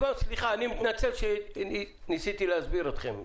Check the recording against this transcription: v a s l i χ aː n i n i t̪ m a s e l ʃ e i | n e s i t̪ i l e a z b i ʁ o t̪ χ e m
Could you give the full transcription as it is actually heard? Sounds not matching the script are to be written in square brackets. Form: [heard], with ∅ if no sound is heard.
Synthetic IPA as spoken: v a s l i χ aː n i [m] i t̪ [n] a [t͡s] e l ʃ e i | n [i] s i t̪ i l e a z b i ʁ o t̪ χ e m